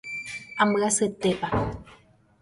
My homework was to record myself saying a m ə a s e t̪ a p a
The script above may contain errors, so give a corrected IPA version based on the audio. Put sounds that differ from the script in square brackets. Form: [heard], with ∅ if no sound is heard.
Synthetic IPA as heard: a m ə a s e t̪ [e] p a